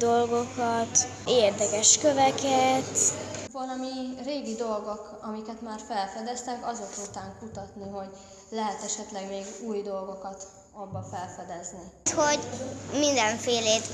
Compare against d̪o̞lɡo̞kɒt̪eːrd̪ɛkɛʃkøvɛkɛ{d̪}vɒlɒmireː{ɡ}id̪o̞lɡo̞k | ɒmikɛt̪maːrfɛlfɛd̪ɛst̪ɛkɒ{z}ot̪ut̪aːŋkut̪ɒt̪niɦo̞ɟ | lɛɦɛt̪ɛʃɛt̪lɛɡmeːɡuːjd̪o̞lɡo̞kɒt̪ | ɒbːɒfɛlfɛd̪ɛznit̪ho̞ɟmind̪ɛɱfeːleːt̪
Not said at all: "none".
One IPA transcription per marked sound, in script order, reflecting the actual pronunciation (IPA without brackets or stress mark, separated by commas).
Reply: t̪, ɡ, z